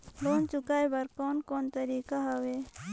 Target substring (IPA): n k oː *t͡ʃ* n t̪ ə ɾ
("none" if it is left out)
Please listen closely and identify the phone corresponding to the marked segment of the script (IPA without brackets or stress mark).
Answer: none